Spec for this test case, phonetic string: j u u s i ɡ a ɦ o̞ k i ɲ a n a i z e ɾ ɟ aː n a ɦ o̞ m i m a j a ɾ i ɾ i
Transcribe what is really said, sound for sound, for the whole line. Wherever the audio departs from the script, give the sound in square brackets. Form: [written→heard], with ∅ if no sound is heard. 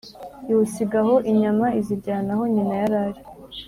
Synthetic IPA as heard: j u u s i ɡ a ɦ o̞ [k→ʔ] i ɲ a [n→m] a i z [e→i] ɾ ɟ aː n a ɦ o̞ [m→ɲ] i [m→n] a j a ɾ [i→a] ɾ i

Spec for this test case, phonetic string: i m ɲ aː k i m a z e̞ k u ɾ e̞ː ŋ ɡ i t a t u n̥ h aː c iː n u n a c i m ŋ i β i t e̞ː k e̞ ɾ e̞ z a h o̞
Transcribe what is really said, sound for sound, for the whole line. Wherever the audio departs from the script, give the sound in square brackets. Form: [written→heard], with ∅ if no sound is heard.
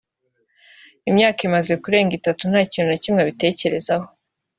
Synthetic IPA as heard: i m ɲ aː k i m a z e̞ k u ɾ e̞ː ŋ ɡ i t a t u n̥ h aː c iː n u n a c i m ŋ [i→e] β i t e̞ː [k→c] e̞ ɾ e̞ z a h o̞

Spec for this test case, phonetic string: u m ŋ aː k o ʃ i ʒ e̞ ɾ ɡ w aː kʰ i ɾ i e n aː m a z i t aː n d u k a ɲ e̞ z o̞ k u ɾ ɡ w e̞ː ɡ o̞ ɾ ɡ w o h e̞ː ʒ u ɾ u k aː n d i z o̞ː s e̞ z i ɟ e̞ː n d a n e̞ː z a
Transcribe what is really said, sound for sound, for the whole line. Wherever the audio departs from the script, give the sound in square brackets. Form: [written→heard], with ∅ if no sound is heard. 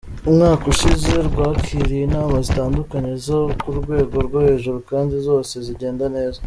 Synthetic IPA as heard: u m ŋ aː k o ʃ i [ʒ→z] e̞ ɾ ɡ w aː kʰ i ɾ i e n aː m a z i t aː n d u k a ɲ e̞ z o̞ k u ɾ ɡ w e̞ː ɡ o̞ ɾ ɡ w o h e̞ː ʒ u ɾ u k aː n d i z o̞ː s e̞ z i ɟ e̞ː n d a n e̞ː z a

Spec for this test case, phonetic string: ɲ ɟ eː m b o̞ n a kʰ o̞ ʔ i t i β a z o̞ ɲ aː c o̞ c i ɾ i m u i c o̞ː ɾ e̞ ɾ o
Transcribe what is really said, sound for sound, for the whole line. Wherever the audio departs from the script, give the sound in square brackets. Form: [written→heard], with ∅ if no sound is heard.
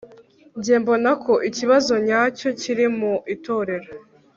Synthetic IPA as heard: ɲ ɟ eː m b o̞ n a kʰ o̞ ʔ i [t→c] i β a z o̞ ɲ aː c o̞ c i ɾ i m u i [c→t] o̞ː ɾ e̞ ɾ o

